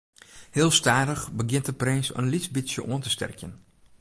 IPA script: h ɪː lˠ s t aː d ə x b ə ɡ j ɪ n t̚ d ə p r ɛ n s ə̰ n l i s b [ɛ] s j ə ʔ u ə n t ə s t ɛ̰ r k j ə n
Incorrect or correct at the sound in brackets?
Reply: incorrect: i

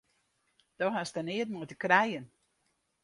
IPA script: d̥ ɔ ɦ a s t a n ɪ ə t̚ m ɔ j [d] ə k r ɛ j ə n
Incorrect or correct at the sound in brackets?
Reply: incorrect: t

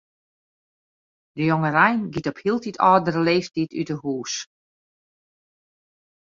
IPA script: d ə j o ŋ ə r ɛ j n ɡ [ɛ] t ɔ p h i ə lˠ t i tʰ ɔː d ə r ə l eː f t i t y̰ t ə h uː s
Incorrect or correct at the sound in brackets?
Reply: incorrect: i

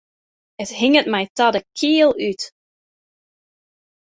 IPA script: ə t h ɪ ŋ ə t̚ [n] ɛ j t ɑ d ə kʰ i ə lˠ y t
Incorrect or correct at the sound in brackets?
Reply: incorrect: m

